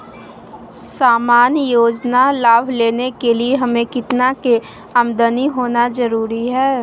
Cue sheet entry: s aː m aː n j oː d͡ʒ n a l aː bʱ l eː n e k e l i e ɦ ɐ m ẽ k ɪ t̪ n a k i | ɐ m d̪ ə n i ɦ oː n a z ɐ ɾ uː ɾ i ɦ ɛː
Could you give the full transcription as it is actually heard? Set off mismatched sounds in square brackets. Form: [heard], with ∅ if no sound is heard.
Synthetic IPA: s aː m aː n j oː d͡ʒ n a l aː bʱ l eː n e k e l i e ɦ ɐ m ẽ k ɪ t̪ n a k [e] | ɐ m d̪ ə n i ɦ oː n a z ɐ ɾ uː ɾ i ɦ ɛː